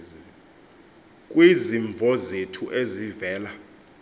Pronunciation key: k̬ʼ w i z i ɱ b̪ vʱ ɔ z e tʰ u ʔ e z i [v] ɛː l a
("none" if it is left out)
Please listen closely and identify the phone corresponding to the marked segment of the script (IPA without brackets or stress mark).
v